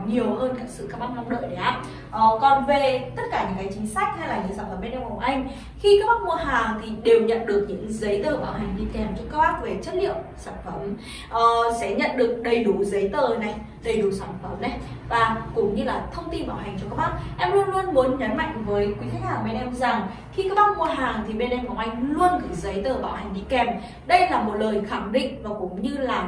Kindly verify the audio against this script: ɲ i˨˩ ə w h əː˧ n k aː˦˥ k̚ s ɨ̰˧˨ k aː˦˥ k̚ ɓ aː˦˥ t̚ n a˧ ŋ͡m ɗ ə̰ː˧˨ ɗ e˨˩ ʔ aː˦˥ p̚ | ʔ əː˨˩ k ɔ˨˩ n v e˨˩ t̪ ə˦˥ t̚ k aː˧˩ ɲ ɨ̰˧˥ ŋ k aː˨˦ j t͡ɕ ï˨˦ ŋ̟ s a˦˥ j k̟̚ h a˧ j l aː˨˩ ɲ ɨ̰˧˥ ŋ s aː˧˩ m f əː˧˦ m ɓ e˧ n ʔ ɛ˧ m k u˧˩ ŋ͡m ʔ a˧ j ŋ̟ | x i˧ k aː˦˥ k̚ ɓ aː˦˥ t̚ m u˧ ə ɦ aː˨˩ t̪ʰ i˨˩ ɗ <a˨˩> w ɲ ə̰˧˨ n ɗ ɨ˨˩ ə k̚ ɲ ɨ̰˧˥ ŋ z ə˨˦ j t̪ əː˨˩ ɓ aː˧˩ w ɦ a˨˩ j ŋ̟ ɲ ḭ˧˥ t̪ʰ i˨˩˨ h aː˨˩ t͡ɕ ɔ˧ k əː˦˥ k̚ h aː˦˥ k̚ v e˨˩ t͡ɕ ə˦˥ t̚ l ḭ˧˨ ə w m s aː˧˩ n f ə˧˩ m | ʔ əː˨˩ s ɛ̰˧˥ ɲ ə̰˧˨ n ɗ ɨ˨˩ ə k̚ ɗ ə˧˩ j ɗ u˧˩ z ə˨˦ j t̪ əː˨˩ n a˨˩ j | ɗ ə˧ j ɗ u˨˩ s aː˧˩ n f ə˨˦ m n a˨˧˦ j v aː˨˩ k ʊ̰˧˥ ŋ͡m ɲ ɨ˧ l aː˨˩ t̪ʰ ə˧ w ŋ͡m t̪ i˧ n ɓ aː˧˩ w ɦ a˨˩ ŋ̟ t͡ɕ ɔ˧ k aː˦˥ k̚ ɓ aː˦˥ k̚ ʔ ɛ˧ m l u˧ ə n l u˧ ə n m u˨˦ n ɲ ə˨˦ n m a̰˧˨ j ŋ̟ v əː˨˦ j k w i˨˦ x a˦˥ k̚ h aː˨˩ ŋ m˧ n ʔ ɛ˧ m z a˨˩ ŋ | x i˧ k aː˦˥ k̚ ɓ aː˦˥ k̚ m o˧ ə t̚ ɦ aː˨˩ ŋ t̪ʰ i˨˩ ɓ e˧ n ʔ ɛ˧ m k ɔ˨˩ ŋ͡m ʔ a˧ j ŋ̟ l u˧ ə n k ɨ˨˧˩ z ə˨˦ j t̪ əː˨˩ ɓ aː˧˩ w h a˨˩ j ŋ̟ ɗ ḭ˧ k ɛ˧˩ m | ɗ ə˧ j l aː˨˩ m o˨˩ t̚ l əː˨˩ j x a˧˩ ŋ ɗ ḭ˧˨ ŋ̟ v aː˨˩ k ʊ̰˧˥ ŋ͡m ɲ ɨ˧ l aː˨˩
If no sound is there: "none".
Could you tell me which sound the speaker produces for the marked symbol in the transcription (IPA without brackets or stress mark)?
e˨˩